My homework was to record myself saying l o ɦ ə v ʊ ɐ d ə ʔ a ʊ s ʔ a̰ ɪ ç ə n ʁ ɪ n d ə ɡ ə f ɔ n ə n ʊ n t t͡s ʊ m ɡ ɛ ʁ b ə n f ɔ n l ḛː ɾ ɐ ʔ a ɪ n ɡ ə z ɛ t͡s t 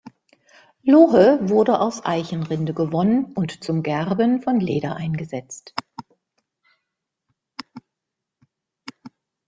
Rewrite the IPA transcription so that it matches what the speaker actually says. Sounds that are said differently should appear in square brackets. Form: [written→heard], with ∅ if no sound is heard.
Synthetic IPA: l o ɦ ə v ʊ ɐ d ə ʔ a ʊ s ʔ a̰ ɪ ç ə n ʁ ɪ n d ə ɡ ə [f→v] ɔ n ə n ʊ n t t͡s ʊ m ɡ ɛ ʁ b ə n f ɔ n l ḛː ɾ ɐ ʔ a ɪ n ɡ ə z ɛ t͡s t

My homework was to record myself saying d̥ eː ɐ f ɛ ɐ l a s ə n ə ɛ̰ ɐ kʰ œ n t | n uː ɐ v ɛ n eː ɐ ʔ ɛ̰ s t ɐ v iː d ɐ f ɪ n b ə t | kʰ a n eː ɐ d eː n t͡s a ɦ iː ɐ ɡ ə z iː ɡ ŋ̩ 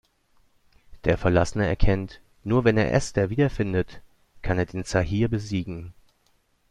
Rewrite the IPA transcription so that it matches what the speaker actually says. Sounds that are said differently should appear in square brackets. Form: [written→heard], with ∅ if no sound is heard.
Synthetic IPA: d̥ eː ɐ f ɛ ɐ l a s ə n ə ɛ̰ ɐ kʰ [œ→ɛ] n t | n uː ɐ v ɛ n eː ɐ ʔ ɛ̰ s t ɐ v iː d ɐ f ɪ n [b→d] ə t | kʰ a n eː ɐ d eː n t͡s a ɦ iː ɐ [ɡ→b] ə z iː ɡ ŋ̩

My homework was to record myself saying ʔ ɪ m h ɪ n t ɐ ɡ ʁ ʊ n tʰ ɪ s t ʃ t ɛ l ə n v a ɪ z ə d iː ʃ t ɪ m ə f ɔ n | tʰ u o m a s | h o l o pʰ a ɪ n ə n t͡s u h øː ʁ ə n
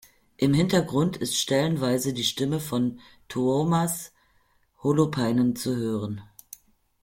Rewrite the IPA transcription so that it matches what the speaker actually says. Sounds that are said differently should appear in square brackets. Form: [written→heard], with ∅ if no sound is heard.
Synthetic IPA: ʔ ɪ m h ɪ n t ɐ ɡ ʁ ʊ n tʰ ɪ s t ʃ t ɛ l ə n v a ɪ z ə d iː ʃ t ɪ m ə f ɔ n | tʰ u o m a s | h o l o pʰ a ɪ n ə n t͡s u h øː ʁ ə n

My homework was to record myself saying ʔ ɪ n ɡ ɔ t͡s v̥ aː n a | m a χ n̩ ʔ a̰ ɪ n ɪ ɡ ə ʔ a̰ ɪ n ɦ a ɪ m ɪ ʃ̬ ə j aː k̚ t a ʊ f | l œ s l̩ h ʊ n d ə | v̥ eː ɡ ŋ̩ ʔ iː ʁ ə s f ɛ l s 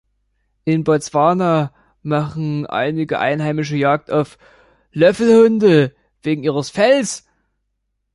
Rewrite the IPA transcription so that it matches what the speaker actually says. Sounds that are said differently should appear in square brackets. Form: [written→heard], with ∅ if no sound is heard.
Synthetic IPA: ʔ ɪ n [ɡ→b] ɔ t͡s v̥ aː n a | m a χ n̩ ʔ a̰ ɪ n ɪ ɡ ə ʔ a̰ ɪ n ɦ a ɪ m ɪ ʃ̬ ə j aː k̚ t a ʊ f | l œ [s→f] l̩ h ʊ n d ə | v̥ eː ɡ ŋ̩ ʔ iː ʁ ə s f ɛ l s

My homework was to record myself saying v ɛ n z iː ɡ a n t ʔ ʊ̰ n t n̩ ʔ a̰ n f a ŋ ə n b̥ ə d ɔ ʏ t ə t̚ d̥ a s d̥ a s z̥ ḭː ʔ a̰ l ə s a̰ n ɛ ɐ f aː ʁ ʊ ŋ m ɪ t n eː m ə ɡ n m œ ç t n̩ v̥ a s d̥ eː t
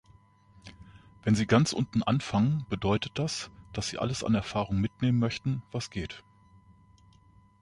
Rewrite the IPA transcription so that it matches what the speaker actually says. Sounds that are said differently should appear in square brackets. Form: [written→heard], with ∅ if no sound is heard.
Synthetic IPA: v ɛ n z iː ɡ a n [t→t͡s] ʔ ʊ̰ n t n̩ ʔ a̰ n f a ŋ ə n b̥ ə d ɔ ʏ t ə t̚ d̥ a s d̥ a s z̥ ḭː ʔ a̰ l ə s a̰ n ɛ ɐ f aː ʁ ʊ ŋ m ɪ t n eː m ə [ɡ→∅] n m œ ç t n̩ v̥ a s [d̥→ɡ̥] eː t

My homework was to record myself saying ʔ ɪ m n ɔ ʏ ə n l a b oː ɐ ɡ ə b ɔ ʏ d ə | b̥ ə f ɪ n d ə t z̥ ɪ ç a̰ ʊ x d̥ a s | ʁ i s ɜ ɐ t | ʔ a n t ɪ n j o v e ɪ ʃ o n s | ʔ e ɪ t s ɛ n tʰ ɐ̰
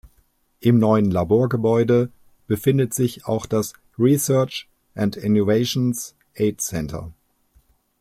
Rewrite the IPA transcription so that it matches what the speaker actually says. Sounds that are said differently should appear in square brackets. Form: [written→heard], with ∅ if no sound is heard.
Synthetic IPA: ʔ ɪ m n ɔ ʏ ə n l a b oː ɐ ɡ ə b ɔ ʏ d ə | b̥ ə f ɪ n d ə t z̥ ɪ ç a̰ ʊ x d̥ a s | ʁ i s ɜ ɐ [t→t͡ʃ] | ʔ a n t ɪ n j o v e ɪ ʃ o n s | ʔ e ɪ t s ɛ n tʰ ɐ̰

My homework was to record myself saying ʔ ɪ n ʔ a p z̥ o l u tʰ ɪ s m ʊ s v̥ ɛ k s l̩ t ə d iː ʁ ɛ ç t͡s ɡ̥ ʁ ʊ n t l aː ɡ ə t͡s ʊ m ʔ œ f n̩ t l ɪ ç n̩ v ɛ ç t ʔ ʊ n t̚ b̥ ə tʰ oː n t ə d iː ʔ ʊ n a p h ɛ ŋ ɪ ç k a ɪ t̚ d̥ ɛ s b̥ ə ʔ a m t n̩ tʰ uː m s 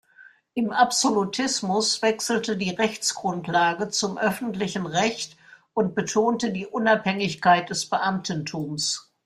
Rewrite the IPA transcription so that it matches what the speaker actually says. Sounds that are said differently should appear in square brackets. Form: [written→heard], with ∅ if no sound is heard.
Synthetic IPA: ʔ ɪ [n→m] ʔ a p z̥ o l u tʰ ɪ s m ʊ s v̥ ɛ k s l̩ t ə d iː ʁ ɛ ç t͡s ɡ̥ ʁ ʊ n t l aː ɡ ə t͡s ʊ m ʔ œ f n̩ t l ɪ ç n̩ [v→ʁ] ɛ ç t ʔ ʊ n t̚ b̥ ə tʰ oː n t ə d iː ʔ ʊ n a p h ɛ ŋ ɪ ç k a ɪ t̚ d̥ ɛ s b̥ ə ʔ a m t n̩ tʰ uː m s

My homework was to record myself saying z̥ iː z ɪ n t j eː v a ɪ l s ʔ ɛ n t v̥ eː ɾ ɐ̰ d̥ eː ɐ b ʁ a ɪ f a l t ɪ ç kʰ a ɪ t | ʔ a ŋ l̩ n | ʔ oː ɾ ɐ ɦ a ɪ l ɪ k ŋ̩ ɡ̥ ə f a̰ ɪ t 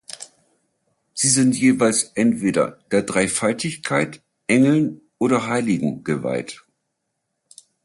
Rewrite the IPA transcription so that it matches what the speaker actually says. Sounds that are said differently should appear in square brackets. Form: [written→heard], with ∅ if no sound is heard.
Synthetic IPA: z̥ iː z ɪ n t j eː v a ɪ l s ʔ ɛ n t v̥ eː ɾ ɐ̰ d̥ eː ɐ [b→d] ʁ a ɪ f a l t ɪ ç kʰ a ɪ t | ʔ [a→ɛ] ŋ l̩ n | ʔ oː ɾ ɐ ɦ a ɪ l ɪ [k→ɡ] ŋ̩ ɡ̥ ə [f→v] a̰ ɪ t

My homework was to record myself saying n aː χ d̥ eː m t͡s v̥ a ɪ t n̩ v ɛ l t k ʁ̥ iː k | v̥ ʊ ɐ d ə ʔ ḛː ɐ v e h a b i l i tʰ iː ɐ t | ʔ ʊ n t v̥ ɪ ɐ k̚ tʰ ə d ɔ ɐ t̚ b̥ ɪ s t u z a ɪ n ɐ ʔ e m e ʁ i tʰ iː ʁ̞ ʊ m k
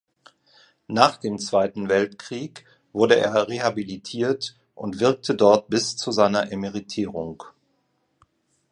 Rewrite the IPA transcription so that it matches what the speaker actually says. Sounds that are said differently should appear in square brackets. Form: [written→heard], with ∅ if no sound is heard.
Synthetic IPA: n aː χ d̥ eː m t͡s v̥ a ɪ t n̩ v ɛ l t k ʁ̥ iː k | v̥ ʊ ɐ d ə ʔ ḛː ɐ [v→ʁ] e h a b i l i tʰ iː ɐ t | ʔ ʊ n t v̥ ɪ ɐ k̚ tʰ ə d ɔ ɐ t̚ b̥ ɪ s [t→t͡s] u z a ɪ n ɐ ʔ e m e ʁ i tʰ iː ʁ̞ ʊ [m→ŋ] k

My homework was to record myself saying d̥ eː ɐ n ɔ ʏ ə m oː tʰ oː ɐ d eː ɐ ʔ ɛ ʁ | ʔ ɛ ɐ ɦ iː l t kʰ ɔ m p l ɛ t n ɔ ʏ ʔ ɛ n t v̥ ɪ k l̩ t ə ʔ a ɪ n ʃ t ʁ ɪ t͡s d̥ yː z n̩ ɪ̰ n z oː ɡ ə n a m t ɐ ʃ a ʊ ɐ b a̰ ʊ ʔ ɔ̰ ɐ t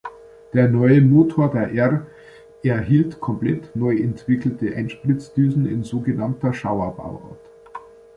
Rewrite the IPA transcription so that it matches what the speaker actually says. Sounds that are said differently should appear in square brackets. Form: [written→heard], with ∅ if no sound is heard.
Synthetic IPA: d̥ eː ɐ n ɔ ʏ ə m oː tʰ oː ɐ d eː ɐ ʔ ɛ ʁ | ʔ ɛ ɐ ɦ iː l t kʰ ɔ m p l ɛ t n ɔ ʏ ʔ ɛ n t v̥ ɪ k l̩ t ə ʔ a ɪ n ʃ [t→p] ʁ ɪ t͡s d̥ yː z n̩ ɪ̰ n z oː ɡ ə n a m t ɐ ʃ a ʊ ɐ b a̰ ʊ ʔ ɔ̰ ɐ t

